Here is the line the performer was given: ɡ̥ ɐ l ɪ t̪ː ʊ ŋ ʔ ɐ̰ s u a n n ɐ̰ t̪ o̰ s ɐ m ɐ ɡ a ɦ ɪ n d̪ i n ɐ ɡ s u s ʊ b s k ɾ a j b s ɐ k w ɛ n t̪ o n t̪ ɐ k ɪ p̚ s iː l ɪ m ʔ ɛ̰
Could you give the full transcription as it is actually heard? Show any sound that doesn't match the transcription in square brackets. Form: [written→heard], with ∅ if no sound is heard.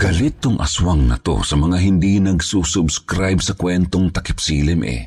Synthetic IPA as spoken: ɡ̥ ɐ l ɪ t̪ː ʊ ŋ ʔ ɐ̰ s [u→w] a [n→ŋ] n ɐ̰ t̪ o̰ s ɐ m ɐ [ɡ→ŋ] a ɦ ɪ n d̪ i n ɐ ɡ s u s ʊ b s k ɾ a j b s ɐ k w ɛ n t̪ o [n→ŋ] t̪ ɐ k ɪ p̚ s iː l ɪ m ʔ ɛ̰